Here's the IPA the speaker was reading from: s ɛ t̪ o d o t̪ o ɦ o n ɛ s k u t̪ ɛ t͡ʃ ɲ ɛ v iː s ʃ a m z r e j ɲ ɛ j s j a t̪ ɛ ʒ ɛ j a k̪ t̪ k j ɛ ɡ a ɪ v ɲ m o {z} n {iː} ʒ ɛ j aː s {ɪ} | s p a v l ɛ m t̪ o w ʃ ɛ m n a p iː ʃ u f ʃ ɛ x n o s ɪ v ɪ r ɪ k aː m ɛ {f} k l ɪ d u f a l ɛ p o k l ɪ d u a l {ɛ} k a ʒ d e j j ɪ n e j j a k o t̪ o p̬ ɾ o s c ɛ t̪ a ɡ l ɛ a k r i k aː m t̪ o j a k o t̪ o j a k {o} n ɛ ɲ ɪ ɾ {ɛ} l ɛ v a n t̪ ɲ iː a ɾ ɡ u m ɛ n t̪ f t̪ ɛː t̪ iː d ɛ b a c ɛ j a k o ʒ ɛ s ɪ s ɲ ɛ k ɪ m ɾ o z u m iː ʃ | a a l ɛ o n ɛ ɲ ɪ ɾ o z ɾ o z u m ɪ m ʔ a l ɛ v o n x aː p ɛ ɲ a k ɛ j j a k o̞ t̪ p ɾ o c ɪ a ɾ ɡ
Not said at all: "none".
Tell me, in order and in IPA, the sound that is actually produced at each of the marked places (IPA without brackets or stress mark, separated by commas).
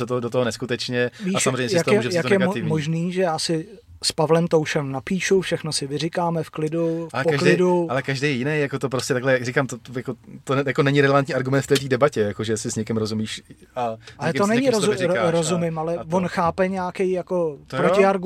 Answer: ʒ, iː, ɪ, f, ɛ, o, ɛ